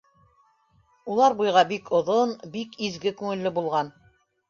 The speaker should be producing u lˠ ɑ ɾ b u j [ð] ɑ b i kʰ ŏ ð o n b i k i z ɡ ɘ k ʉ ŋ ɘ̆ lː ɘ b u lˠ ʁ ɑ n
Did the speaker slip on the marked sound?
yes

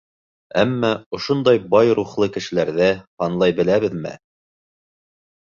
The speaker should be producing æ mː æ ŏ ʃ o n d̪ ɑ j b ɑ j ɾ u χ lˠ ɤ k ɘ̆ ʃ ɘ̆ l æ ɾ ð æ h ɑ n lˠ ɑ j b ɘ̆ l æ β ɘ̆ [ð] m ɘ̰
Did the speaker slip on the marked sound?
no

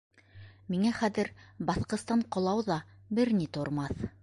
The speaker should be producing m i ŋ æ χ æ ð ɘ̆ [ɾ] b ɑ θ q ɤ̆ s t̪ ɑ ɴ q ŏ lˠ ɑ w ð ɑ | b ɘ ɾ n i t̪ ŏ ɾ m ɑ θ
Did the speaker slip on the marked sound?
no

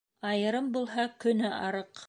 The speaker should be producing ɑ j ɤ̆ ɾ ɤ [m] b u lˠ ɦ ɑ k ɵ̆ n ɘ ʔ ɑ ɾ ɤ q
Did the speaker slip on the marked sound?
no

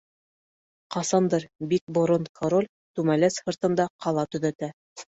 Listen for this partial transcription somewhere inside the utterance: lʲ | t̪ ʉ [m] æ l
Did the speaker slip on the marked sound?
no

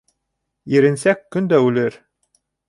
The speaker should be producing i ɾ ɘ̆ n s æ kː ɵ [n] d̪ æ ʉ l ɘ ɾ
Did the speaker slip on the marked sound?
no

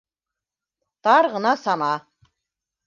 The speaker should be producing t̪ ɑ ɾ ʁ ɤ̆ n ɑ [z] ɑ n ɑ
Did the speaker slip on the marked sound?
yes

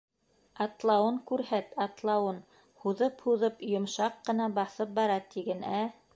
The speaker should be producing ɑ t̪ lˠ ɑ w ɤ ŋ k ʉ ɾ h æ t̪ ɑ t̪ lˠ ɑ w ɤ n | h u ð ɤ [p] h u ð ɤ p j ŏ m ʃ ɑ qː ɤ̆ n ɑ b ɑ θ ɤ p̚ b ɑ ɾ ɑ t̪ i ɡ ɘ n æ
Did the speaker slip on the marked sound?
no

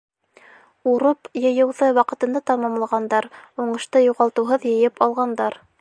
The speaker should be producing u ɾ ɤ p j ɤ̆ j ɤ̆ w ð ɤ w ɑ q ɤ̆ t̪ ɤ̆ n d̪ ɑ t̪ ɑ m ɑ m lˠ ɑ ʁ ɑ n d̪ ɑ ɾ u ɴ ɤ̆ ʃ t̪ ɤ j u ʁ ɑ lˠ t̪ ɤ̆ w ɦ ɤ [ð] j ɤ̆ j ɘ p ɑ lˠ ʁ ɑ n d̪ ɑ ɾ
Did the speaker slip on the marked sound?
no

